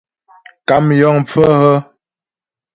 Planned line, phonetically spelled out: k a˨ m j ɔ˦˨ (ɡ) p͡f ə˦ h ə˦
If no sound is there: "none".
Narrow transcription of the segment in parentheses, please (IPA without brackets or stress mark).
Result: ŋ